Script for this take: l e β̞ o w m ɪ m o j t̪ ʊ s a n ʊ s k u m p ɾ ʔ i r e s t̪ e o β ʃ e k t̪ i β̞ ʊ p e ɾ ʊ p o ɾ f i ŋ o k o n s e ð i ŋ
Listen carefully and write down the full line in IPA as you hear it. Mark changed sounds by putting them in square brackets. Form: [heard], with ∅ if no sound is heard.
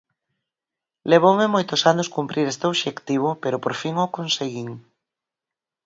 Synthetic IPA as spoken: l e β̞ o w m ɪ m o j t̪ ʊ s a n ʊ s k u m p ɾ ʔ i [ɾ] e s t̪ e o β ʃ e k t̪ i β̞ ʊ p e ɾ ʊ p o ɾ f i ŋ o k o n s e [ɣ] i ŋ